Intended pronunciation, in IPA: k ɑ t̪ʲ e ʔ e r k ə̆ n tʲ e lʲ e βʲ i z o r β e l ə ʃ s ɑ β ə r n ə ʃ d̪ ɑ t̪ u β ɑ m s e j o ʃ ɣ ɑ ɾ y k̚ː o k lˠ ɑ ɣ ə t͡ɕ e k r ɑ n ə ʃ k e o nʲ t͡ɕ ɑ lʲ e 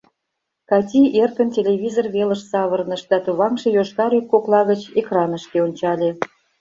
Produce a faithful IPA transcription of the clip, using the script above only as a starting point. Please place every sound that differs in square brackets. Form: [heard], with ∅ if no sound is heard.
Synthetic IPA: k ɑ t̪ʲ [i] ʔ e r k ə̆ n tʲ e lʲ e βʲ i z o r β e l ə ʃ s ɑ β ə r n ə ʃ d̪ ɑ t̪ u β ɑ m [ʃ] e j o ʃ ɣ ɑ ɾ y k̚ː o k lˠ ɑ ɣ ə t͡ɕ e k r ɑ n ə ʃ k e o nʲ t͡ɕ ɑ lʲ e